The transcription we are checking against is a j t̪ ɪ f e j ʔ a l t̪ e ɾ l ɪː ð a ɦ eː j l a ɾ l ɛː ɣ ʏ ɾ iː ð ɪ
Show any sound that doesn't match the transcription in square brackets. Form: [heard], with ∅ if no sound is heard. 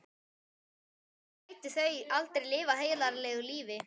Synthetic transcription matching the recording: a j t̪ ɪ [θ] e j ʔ a l t̪ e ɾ l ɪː [v] a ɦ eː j l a ɾ l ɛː ɣ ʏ [l] iː [v] ɪ